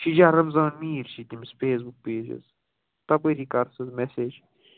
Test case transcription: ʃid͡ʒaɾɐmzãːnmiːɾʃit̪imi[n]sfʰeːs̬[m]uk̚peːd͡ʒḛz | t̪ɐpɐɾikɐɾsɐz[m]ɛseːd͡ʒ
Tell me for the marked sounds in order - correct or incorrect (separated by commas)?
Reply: incorrect, incorrect, correct